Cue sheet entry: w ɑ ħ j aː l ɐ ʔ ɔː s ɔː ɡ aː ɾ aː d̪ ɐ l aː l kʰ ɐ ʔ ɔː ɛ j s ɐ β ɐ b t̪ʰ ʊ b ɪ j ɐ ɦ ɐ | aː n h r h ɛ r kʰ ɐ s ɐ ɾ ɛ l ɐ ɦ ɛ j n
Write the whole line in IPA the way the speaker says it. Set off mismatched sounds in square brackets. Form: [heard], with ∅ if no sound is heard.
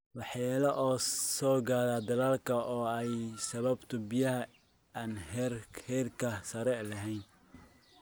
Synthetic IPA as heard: w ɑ ħ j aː l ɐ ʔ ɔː s ɔː ɡ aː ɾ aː d̪ ɐ l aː l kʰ ɐ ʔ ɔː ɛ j s ɐ β ɐ b t̪ʰ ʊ b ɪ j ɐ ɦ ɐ | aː n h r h ɛ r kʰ ɐ s ɐ ɾ ɛ l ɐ ɦ ɛ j n